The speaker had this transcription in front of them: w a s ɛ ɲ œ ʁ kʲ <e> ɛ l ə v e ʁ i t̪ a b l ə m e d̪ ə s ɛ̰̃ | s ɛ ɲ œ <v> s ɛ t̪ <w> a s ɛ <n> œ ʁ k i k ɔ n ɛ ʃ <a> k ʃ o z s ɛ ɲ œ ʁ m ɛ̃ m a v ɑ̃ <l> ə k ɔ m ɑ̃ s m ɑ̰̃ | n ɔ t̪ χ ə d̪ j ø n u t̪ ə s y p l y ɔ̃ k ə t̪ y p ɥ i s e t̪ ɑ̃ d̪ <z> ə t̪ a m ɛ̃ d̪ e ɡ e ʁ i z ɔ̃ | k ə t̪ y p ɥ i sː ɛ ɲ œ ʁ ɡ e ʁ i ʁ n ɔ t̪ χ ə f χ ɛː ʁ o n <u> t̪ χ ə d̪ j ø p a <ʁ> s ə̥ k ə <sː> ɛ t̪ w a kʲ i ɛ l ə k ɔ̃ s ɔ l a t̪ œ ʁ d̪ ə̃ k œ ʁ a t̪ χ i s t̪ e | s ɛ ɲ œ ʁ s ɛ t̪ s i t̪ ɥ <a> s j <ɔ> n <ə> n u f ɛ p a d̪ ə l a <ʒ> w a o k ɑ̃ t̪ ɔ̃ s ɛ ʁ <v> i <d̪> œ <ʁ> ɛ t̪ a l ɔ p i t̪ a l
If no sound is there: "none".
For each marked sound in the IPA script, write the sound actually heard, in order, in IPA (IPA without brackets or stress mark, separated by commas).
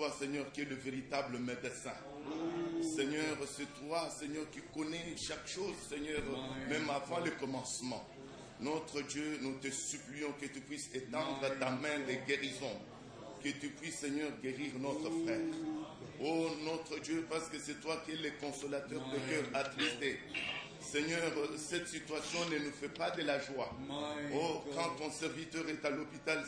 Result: i, ʁ, w, ɲ, a, l, ʁ, ɔ, ʁ, s, a, ɔ̃, ə, ʒ, v, t̪, ʁ